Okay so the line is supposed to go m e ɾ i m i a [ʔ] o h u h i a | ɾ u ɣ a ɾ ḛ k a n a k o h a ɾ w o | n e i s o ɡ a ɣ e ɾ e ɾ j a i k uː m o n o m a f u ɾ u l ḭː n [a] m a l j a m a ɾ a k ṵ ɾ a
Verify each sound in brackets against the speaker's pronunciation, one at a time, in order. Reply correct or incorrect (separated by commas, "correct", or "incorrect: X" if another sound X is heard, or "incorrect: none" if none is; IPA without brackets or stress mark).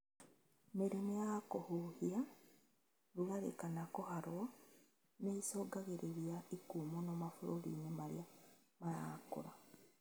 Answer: incorrect: k, incorrect: e